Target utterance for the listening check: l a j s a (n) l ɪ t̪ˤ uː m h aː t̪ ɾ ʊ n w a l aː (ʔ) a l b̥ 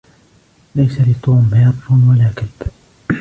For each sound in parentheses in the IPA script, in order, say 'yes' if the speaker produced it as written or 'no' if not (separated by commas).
no, no